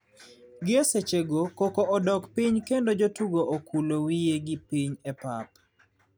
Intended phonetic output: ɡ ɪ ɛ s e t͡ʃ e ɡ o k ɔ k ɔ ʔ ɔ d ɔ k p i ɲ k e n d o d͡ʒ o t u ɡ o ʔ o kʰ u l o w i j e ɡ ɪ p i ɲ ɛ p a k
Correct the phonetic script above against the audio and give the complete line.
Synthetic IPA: ɡ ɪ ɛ s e t͡ʃ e ɡ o k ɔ k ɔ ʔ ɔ d ɔ k p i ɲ k e n d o d͡ʒ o t u ɡ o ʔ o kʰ u l o w i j e ɡ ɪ p i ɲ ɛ p a p